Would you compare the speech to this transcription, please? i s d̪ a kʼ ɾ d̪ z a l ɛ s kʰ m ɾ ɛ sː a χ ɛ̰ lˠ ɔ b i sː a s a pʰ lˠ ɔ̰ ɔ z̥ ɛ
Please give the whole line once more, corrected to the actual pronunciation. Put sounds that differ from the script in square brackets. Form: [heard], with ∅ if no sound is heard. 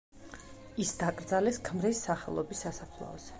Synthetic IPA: i s d̪ a kʼ ɾ d̪ z a l ɛ s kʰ m ɾ [i] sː a χ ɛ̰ lˠ ɔ b i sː a s a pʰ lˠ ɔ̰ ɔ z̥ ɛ